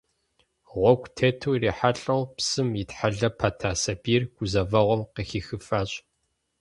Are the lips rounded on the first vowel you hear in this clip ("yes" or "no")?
yes